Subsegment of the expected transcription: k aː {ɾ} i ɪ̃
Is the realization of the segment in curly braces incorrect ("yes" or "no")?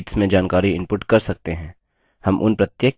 no